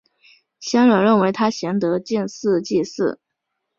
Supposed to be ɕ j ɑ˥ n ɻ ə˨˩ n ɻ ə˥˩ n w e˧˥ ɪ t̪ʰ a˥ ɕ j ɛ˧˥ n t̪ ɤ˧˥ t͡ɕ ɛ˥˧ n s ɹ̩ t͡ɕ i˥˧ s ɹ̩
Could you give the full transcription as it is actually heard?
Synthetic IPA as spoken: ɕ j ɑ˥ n ɻ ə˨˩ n ɻ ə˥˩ n w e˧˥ ɪ t̪ʰ a˥ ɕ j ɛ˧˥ n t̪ ɤ˧˥ t͡ɕ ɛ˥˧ n s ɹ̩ t͡ɕ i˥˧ s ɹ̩